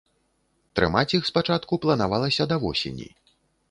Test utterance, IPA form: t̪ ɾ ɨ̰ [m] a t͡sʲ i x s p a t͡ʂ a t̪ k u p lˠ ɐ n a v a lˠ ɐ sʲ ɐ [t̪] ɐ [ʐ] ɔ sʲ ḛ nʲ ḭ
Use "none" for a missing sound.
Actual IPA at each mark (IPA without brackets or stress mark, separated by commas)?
m, d̪, v